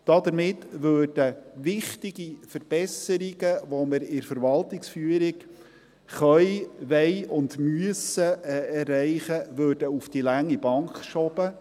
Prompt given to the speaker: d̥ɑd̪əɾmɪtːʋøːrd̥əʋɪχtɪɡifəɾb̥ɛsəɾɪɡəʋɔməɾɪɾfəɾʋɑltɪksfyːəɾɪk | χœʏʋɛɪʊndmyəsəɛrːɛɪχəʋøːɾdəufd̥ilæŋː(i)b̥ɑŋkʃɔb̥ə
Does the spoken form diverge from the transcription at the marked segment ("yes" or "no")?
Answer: no